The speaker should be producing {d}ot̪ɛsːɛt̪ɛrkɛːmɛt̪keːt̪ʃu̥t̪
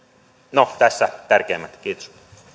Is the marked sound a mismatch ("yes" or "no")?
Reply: yes